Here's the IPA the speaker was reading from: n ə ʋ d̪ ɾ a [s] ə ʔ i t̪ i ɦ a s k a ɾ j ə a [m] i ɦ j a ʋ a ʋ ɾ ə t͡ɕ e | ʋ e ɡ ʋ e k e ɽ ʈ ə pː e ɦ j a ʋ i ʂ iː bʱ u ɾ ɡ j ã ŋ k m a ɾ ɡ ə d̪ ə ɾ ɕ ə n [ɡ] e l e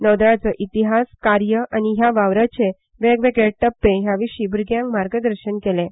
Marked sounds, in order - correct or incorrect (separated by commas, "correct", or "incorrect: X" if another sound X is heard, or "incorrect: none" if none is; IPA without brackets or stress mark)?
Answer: incorrect: t͡s, incorrect: n, incorrect: k